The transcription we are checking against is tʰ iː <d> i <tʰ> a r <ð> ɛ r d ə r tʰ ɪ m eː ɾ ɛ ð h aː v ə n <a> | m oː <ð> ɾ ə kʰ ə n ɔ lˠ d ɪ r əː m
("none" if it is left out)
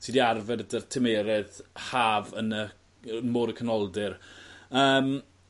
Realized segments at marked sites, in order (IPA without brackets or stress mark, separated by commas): d, none, v, ə, none